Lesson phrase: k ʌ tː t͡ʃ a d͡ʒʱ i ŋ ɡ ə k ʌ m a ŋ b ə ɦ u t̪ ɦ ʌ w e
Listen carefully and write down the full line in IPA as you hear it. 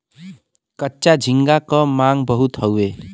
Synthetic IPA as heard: k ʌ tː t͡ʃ a d͡ʒʱ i ŋ ɡ a k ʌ m a ŋ b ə ɦ u t̪ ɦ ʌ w e